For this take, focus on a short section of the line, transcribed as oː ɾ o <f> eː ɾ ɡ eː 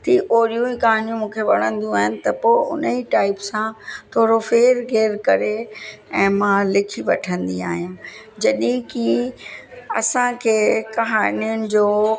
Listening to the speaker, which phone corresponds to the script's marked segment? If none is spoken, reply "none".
f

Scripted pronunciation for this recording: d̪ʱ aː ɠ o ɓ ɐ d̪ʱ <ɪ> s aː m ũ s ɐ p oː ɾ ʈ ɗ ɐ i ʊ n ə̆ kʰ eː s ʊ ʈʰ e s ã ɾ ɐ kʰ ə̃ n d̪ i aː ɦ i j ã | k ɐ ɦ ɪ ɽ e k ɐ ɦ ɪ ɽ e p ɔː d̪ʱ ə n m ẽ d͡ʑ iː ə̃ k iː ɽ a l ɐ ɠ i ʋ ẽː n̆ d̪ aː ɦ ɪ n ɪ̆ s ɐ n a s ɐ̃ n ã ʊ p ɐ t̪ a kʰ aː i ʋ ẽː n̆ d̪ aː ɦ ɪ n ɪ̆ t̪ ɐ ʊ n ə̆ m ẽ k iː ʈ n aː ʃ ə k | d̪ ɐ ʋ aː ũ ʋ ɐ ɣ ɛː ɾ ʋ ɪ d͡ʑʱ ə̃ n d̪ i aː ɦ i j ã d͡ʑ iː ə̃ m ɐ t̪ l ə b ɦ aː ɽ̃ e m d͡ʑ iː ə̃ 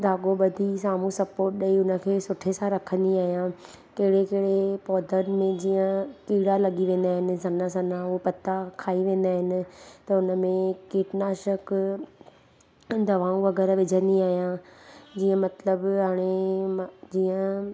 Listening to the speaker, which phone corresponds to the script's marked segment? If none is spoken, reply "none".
i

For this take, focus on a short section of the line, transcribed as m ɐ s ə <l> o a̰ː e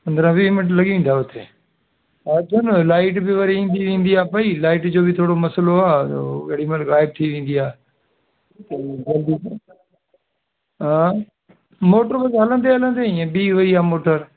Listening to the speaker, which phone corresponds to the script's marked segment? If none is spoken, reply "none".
l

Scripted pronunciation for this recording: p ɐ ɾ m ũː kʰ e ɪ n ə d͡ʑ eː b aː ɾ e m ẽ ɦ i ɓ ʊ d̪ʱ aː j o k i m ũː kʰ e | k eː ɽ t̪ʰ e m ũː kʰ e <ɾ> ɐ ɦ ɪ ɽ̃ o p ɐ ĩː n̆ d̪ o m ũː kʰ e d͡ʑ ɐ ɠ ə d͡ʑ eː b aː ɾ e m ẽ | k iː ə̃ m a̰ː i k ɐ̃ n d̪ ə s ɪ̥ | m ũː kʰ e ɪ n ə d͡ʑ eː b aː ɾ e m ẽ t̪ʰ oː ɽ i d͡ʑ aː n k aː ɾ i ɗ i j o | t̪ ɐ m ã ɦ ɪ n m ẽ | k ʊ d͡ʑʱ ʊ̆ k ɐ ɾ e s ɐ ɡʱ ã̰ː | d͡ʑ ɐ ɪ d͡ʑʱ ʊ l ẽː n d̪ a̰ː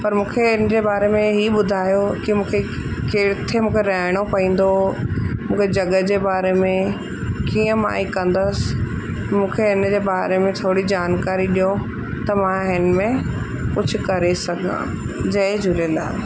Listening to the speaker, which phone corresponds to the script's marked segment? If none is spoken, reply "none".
ɾ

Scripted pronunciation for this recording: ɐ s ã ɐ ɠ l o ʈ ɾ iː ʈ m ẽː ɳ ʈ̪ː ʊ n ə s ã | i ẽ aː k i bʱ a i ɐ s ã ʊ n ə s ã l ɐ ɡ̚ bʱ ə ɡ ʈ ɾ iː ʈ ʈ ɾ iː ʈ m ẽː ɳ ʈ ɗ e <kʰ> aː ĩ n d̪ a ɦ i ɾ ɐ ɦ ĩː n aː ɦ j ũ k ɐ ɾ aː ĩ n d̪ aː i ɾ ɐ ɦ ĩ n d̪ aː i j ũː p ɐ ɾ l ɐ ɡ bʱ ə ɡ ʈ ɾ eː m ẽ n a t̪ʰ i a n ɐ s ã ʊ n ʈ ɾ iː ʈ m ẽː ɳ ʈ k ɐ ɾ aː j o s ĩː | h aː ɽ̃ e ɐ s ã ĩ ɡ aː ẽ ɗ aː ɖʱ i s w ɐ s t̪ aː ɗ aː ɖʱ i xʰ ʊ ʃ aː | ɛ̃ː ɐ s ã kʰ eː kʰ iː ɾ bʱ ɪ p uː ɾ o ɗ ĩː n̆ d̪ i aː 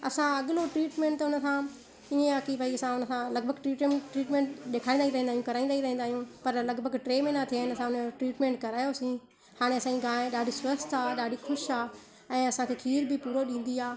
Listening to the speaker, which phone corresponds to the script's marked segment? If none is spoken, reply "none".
kʰ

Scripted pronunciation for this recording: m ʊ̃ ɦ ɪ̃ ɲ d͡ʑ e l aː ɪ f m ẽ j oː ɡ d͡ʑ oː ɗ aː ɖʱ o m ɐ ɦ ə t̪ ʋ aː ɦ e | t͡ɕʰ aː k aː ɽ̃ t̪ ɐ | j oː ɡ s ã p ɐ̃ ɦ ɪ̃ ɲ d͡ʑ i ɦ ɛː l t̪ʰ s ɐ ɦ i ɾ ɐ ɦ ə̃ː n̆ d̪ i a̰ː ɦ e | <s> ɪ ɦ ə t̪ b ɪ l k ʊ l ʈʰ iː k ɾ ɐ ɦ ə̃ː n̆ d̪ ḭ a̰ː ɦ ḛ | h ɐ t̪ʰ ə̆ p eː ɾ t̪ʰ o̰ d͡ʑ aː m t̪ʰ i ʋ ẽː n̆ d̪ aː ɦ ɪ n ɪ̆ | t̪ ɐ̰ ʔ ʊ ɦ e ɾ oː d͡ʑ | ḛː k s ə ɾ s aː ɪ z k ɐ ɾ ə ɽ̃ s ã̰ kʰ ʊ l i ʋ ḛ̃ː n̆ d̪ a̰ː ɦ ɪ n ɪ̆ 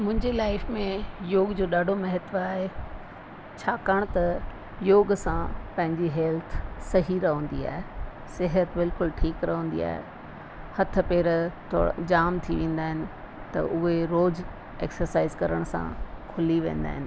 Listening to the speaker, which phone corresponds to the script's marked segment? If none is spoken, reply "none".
s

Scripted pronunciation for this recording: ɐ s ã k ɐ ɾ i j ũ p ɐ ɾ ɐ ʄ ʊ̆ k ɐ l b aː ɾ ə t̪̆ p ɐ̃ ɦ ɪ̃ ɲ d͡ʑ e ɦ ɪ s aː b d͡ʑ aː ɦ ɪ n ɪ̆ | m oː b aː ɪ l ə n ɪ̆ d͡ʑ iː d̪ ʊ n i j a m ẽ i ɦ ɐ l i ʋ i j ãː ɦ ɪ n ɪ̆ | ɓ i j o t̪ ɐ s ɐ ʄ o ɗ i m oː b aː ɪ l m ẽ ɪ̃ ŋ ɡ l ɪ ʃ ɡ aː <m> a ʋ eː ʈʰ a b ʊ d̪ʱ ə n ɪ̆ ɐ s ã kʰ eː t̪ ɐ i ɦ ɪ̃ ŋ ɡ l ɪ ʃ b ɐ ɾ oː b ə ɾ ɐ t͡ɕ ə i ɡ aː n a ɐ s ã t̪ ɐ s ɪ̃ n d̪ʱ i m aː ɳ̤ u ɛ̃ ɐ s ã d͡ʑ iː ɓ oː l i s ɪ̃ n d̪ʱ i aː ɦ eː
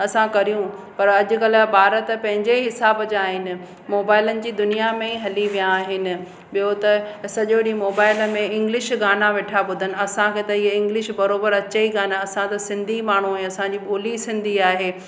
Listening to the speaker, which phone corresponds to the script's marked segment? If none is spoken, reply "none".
n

